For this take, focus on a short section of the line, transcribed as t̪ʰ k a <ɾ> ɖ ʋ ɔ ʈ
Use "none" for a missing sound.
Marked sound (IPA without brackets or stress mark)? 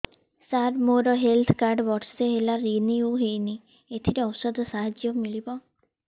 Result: ɾ